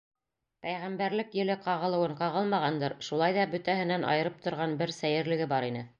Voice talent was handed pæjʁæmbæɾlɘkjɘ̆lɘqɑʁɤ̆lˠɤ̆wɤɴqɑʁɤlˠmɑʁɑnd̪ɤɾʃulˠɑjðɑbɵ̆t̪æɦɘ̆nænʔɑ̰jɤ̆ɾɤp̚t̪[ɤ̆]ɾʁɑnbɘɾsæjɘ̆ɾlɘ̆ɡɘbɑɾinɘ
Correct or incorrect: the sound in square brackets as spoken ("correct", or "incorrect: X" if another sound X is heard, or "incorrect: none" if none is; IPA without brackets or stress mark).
incorrect: ŏ